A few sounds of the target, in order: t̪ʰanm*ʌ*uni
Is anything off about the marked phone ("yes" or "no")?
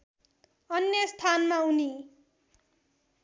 yes